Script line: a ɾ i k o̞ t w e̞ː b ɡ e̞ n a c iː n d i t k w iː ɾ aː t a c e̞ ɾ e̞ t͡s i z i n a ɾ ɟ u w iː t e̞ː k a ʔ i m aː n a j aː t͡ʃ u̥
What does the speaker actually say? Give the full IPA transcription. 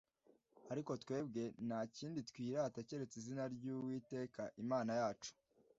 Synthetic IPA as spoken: a ɾ i k o̞ t w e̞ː b ɡ e̞ n a c iː n d i t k w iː ɾ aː t a c e̞ ɾ e̞ t͡s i z i n a ɾ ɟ u w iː t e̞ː k a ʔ i m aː n a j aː t͡ʃ u̥